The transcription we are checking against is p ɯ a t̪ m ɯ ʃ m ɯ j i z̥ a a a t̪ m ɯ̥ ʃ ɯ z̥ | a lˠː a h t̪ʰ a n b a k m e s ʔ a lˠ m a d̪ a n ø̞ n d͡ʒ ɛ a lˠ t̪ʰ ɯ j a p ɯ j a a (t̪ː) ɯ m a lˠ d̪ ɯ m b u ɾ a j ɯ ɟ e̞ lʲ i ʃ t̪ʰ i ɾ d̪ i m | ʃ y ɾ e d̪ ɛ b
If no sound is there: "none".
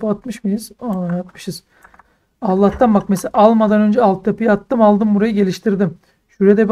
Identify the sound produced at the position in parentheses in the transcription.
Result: t̪ː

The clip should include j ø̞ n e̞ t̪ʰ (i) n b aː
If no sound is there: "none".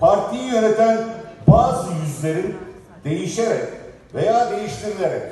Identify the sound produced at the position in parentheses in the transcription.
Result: æ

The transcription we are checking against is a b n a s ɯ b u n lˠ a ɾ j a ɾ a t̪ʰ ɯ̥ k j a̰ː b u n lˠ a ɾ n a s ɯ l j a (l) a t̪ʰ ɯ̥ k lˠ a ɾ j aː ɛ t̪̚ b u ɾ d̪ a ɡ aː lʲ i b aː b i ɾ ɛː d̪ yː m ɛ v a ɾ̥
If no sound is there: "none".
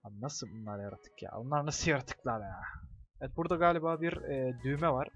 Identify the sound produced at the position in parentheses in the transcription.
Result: ɾ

